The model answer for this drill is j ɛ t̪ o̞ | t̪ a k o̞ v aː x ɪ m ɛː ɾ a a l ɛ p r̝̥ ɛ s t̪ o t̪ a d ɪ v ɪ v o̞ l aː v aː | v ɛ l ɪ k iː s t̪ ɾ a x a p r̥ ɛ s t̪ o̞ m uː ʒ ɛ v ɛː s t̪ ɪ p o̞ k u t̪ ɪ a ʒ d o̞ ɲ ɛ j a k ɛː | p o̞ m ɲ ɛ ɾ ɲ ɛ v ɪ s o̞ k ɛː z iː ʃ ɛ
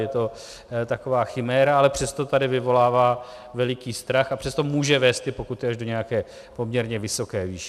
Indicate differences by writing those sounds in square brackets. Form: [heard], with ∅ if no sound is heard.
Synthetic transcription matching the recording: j ɛ t̪ o̞ | t̪ a k o̞ v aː x ɪ m ɛː ɾ a a l ɛ p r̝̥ ɛ s t̪ o t̪ a d ɪ v ɪ v o̞ l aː v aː | v ɛ l ɪ k iː s t̪ ɾ a x a p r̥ ɛ s t̪ o̞ m uː ʒ ɛ v ɛː s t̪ ɪ p o̞ k u t̪ ɪ a ʒ d o̞ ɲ ɛ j a k ɛː | p o̞ m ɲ ɛ ɾ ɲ ɛ v ɪ s o̞ k ɛː [v] iː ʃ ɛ